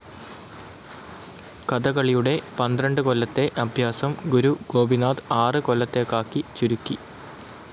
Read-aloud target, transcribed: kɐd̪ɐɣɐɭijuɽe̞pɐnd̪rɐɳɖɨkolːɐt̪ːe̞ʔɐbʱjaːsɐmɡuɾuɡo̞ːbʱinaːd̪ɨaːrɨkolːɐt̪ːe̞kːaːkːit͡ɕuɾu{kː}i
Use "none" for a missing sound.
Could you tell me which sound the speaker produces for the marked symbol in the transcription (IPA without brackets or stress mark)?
kː